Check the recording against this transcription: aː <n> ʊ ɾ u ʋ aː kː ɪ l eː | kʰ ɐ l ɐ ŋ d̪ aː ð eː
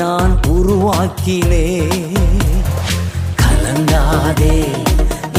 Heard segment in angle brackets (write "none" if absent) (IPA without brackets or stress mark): n